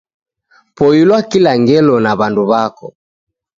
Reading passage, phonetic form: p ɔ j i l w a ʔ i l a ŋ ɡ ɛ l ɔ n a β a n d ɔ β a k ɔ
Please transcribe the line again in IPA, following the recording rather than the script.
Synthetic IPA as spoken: p ɔ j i l w a k i l a ŋ ɡ ɛ l ɔ n a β a n d u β a k ɔ